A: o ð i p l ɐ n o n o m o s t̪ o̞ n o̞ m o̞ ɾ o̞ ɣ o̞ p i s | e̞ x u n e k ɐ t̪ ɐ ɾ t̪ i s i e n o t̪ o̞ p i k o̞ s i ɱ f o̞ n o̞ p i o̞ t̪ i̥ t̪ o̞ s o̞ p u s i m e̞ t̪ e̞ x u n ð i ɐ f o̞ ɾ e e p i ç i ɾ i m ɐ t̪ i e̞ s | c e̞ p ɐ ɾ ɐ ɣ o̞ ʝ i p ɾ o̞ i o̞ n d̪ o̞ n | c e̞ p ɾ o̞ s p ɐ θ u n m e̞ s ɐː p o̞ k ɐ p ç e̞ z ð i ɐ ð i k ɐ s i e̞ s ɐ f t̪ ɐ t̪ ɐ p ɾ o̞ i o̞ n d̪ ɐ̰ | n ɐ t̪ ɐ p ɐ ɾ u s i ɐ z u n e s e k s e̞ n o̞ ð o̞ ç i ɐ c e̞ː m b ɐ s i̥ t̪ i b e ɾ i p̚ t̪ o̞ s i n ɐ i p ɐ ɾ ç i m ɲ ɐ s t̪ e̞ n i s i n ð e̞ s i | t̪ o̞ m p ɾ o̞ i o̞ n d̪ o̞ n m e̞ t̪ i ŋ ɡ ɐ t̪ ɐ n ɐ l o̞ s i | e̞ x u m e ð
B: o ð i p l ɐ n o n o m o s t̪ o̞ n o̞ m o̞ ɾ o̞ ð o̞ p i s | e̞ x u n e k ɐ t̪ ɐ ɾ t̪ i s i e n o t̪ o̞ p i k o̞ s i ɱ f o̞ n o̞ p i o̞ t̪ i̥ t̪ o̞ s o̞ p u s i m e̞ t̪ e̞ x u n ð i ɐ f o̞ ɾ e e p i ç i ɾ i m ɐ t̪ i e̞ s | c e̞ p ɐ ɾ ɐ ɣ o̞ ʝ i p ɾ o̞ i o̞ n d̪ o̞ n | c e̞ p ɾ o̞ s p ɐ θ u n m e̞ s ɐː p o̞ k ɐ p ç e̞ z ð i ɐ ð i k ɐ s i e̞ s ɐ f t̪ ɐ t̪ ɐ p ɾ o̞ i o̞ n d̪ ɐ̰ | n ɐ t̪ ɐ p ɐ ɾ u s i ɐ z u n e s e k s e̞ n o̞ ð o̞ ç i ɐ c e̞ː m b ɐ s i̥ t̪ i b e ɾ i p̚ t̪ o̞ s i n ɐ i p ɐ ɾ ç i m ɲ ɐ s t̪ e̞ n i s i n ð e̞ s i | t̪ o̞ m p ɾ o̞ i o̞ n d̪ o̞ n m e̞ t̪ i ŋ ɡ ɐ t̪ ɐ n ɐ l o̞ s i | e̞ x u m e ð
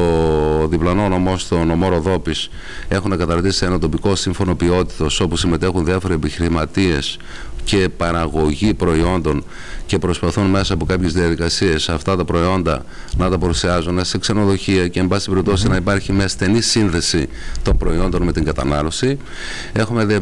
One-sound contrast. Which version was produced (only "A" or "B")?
B